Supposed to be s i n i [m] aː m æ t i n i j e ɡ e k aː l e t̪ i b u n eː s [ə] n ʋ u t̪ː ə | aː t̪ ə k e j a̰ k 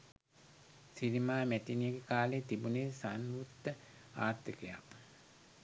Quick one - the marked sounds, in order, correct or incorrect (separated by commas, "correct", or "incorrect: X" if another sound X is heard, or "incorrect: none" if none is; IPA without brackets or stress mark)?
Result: correct, incorrect: a